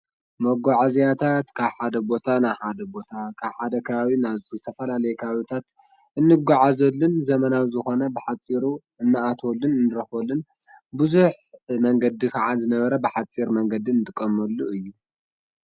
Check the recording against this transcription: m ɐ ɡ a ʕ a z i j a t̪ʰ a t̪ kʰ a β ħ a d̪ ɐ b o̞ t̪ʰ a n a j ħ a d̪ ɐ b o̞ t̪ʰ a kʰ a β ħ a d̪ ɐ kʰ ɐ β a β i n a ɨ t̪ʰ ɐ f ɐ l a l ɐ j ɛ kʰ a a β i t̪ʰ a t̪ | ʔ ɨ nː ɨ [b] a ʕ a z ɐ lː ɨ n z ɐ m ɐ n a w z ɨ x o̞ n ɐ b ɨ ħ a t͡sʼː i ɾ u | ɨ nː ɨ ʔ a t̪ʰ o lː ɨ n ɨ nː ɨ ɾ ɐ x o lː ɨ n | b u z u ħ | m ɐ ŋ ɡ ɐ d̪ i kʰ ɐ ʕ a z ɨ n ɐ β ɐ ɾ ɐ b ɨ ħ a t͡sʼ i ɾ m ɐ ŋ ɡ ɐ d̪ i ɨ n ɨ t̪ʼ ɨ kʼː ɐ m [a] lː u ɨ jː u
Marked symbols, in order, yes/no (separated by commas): no, no